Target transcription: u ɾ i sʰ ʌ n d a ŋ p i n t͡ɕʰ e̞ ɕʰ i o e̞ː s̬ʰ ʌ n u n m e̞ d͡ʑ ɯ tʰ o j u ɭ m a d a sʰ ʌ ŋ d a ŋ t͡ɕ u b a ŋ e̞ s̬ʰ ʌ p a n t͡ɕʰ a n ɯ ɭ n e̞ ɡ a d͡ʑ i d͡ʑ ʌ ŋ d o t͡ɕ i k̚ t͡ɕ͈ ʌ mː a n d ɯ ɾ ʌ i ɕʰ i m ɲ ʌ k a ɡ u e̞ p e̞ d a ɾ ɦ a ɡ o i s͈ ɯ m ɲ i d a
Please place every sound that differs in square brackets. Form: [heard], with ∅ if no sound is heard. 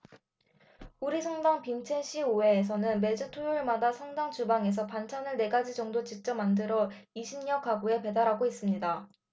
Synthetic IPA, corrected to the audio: u ɾ i sʰ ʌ [ŋ] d a ŋ p i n t͡ɕʰ e̞ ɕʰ i o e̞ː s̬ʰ ʌ n [ɯ] n m e̞ d͡ʑ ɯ tʰ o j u ɭ m a d a sʰ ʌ ŋ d a ŋ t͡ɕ u b a ŋ e̞ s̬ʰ ʌ p a n t͡ɕʰ a n ɯ ɭ n e̞ ɡ a d͡ʑ i d͡ʑ ʌ ŋ d o t͡ɕ i k̚ t͡ɕ͈ ʌ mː a n d ɯ ɾ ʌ i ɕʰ i m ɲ ʌ k a ɡ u e̞ p e̞ d a ɾ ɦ a ɡ o i s͈ ɯ m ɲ i d a

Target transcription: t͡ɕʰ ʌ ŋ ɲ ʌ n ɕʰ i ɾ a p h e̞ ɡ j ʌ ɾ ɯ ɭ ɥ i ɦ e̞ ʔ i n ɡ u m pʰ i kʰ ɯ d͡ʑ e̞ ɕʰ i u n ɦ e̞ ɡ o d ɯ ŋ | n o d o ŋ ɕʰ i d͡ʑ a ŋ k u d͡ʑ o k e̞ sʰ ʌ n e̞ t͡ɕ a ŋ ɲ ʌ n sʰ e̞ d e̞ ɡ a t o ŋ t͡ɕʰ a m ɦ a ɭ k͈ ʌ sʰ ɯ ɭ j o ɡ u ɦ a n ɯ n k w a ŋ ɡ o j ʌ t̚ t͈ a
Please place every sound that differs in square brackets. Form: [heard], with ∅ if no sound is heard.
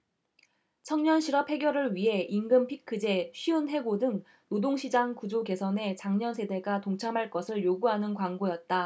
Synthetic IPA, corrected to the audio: t͡ɕʰ ʌ ŋ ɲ ʌ n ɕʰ i ɾ [ʌ] p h e̞ ɡ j ʌ ɾ ɯ ɭ ɥ i ɦ e̞ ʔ i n ɡ [ɯ] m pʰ i kʰ ɯ d͡ʑ e̞ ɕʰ i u n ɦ e̞ ɡ o d ɯ ŋ | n o d o ŋ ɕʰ i d͡ʑ a ŋ k u d͡ʑ o k e̞ sʰ ʌ n e̞ t͡ɕ a ŋ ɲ ʌ n sʰ e̞ d e̞ ɡ a t o ŋ t͡ɕʰ a m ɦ a ɭ k͈ ʌ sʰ ɯ ɭ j o ɡ u ɦ a n ɯ n k w a ŋ ɡ o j ʌ t̚ t͈ a

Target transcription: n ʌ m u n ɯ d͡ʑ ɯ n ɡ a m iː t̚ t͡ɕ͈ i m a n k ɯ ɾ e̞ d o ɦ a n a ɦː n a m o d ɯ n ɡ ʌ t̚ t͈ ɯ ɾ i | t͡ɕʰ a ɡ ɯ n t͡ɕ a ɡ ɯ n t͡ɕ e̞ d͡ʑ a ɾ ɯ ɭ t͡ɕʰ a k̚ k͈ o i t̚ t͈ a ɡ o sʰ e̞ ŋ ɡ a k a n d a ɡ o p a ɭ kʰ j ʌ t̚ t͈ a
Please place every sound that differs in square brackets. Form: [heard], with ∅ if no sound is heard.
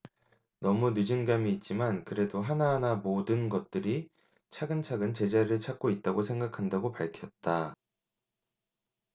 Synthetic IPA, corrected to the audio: n ʌ m u n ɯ d͡ʑ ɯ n ɡ a m iː t̚ t͡ɕ͈ i m a n k ɯ ɾ e̞ d o ɦ a n a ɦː n a m o d ɯ n ɡ ʌ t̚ t͈ ɯ ɾ i | t͡ɕʰ a ɡ ɯ n [t͡ɕʰ] a ɡ ɯ n t͡ɕ e̞ d͡ʑ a ɾ ɯ ɭ t͡ɕʰ a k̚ k͈ o i t̚ t͈ a ɡ o sʰ e̞ ŋ ɡ a [kʰ] a n d a ɡ o p a ɭ kʰ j ʌ t̚ t͈ a

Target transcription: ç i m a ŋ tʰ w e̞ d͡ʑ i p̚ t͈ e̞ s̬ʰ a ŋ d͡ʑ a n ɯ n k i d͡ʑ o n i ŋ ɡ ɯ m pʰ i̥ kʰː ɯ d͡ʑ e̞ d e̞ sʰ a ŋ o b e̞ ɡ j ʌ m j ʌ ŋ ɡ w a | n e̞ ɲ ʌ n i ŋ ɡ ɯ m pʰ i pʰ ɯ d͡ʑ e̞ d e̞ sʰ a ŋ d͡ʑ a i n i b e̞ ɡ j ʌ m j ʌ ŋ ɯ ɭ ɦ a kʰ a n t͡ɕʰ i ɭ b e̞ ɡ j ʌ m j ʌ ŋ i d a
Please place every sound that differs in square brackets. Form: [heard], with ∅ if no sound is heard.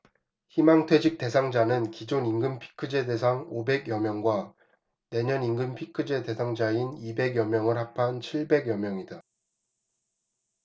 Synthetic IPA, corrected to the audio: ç i m a ŋ tʰ w e̞ d͡ʑ i [k̚] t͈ e̞ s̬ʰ a ŋ d͡ʑ a n ɯ n k i d͡ʑ o n i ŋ ɡ ɯ m pʰ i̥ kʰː ɯ d͡ʑ e̞ d e̞ sʰ a ŋ o b e̞ ɡ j ʌ m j ʌ ŋ ɡ w a | n e̞ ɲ ʌ n i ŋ ɡ ɯ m pʰ i [kʰ] ɯ d͡ʑ e̞ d e̞ sʰ a ŋ d͡ʑ a i n i b e̞ ɡ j ʌ m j ʌ ŋ ɯ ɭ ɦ a [pʰ] a n t͡ɕʰ i ɭ b e̞ ɡ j ʌ m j ʌ ŋ i d a

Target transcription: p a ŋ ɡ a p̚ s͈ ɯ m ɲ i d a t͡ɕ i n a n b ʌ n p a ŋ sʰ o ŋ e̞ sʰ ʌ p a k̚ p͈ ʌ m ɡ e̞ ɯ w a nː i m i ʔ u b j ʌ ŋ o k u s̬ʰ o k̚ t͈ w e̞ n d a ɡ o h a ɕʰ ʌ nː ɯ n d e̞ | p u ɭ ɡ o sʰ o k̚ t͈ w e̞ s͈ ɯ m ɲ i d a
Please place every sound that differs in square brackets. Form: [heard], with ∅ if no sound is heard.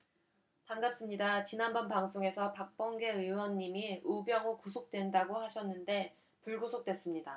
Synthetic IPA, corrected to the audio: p a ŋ ɡ a p̚ s͈ ɯ m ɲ i d a t͡ɕ i n a n b ʌ n p a ŋ sʰ o ŋ e̞ sʰ ʌ p a k̚ p͈ ʌ [ŋ] ɡ e̞ ɯ w [ʌ] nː i m i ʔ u b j ʌ ŋ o k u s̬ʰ o k̚ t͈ w e̞ n d a ɡ o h a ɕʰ ʌ nː ɯ n d e̞ | p u ɭ ɡ o sʰ o k̚ t͈ w e̞ s͈ ɯ m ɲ i d a

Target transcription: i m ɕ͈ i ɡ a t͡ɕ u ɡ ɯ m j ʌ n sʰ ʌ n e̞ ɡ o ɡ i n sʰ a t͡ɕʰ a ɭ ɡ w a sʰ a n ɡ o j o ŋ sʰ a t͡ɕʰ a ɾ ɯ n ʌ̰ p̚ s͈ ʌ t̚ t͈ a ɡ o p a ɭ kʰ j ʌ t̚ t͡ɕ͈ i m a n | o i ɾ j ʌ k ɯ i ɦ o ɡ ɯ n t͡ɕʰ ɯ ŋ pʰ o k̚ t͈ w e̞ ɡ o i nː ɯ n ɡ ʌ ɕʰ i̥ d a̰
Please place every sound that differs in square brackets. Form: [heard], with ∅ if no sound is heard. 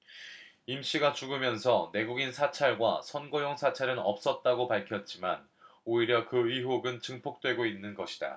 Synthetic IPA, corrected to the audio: i m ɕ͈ i ɡ a t͡ɕ u ɡ ɯ m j ʌ n sʰ ʌ n e̞ ɡ [u] ɡ i n sʰ a t͡ɕʰ a ɭ ɡ w a sʰ [ʌ] n ɡ o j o ŋ sʰ a t͡ɕʰ a ɾ ɯ n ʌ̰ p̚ s͈ ʌ t̚ t͈ a ɡ o p a ɭ kʰ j ʌ t̚ t͡ɕ͈ i m a n | o i ɾ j ʌ k ɯ i ɦ o ɡ ɯ n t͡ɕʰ ɯ ŋ pʰ o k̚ t͈ w e̞ ɡ o i nː ɯ n ɡ ʌ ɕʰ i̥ d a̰

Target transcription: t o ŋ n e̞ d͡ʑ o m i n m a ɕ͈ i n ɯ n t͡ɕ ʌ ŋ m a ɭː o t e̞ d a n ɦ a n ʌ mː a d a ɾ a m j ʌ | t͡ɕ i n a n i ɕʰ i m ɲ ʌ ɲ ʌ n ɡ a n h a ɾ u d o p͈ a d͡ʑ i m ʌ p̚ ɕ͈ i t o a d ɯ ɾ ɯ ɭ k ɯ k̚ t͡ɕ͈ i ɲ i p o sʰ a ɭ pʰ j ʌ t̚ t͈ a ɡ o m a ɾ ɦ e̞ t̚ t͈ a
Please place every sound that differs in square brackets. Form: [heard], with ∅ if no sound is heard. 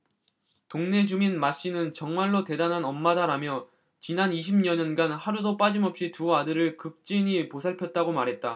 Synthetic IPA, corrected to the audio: t o ŋ n e̞ d͡ʑ [u] m i n m a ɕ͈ i n ɯ n t͡ɕ ʌ ŋ m a ɭː o t e̞ d a n ɦ a n ʌ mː a d a ɾ a m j ʌ | t͡ɕ i n a n i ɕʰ i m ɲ ʌ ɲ ʌ n ɡ a n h a ɾ u d o p͈ a d͡ʑ i m ʌ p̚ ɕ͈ i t [u] a d ɯ ɾ ɯ ɭ k ɯ k̚ t͡ɕ͈ i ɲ i p o sʰ a ɭ pʰ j ʌ t̚ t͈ a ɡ o m a ɾ ɦ e̞ t̚ t͈ a

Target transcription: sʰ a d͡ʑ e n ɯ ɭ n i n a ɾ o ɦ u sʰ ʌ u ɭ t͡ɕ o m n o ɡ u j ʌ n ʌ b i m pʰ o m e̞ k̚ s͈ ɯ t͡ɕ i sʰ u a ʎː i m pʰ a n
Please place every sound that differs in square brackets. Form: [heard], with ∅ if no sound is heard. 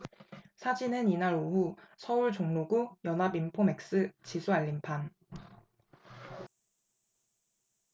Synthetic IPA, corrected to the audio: sʰ a d͡ʑ [i] n ɯ [∅] n i n a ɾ o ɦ u sʰ ʌ u ɭ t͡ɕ o [ŋ] n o ɡ u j ʌ n [a] b i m pʰ o m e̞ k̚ s͈ ɯ t͡ɕ i sʰ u a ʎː i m pʰ a n

